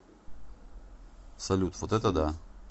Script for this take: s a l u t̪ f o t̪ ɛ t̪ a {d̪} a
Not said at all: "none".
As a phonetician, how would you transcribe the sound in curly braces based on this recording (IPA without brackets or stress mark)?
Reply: d̪